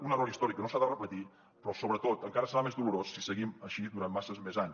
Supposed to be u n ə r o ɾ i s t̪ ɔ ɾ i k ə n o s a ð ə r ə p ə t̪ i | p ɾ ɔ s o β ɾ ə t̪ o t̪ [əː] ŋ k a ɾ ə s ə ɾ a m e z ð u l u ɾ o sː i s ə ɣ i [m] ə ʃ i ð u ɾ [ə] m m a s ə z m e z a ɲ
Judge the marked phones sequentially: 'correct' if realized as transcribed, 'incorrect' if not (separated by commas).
incorrect, correct, incorrect